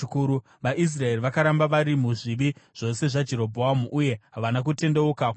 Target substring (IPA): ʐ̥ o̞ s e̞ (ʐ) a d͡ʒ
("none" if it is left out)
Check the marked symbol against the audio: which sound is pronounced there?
ʐ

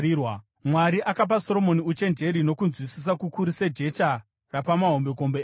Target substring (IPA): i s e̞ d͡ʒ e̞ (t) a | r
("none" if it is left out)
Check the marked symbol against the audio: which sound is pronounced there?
t͡ʃ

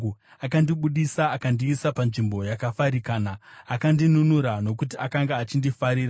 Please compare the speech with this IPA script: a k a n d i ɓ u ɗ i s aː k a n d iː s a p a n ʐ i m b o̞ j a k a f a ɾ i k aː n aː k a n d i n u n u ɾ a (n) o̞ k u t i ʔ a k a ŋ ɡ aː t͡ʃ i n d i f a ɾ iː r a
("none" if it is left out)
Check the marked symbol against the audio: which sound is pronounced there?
n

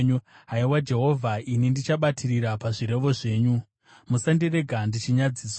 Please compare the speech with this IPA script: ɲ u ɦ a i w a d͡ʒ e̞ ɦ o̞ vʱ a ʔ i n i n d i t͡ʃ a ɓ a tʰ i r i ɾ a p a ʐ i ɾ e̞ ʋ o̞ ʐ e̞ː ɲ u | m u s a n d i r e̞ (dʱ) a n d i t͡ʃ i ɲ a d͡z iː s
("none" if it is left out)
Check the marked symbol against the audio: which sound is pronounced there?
ɡʱ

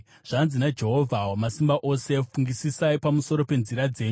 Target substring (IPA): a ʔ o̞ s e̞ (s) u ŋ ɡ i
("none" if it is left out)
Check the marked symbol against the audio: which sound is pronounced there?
f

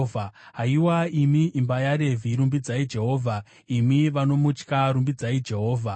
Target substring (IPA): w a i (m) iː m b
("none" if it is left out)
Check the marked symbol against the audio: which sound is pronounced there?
m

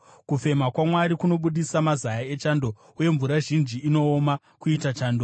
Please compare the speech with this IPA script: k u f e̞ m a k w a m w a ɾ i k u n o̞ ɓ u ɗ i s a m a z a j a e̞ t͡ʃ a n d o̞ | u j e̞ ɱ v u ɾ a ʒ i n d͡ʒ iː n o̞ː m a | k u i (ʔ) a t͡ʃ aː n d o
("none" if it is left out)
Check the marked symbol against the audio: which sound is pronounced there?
t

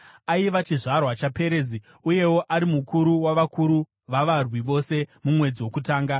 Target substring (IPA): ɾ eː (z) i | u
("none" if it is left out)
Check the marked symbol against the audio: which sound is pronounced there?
z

